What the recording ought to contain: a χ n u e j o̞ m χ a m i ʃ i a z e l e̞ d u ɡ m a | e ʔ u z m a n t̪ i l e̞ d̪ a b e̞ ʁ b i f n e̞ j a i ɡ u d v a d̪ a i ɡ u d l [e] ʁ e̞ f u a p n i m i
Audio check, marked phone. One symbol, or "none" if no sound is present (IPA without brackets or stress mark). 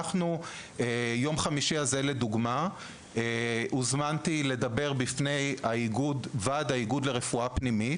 e